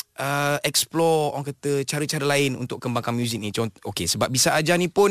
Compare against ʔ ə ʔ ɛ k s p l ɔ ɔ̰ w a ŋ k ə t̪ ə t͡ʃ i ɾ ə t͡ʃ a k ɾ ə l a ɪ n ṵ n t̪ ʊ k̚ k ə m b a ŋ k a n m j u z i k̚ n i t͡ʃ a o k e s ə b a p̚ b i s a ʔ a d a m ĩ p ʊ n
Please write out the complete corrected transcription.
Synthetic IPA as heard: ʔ ə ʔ ɛ k s p l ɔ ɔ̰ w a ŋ k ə t̪ ə t͡ʃ a ɾ ə t͡ʃ a ɾ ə l a ɪ n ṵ n t̪ ʊ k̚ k ə m b a ŋ k a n m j u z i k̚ n i t͡ʃ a o k e s ə b a p̚ b i s a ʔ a d͡ʒ a n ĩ p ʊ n